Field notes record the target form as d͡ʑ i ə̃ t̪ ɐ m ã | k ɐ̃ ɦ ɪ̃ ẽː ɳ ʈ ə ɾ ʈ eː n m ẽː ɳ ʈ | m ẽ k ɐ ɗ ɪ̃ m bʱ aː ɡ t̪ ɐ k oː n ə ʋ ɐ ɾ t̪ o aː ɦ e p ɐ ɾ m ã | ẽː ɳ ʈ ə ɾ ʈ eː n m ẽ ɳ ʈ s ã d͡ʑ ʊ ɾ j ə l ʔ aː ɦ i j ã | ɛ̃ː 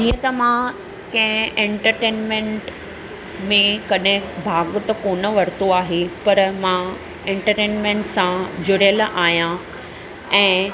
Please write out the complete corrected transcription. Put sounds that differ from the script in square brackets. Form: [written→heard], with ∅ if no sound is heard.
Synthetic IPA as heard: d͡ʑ [i→iː] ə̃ t̪ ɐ m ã | k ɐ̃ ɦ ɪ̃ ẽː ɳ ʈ ə ɾ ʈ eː n m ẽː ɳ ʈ | m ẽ k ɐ ɗ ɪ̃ [m→∅] bʱ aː ɡ t̪ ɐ k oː n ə ʋ ɐ ɾ t̪ o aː ɦ e p ɐ ɾ m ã | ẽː ɳ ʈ ə ɾ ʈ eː n m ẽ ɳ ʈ s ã d͡ʑ ʊ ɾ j ə l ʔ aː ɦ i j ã | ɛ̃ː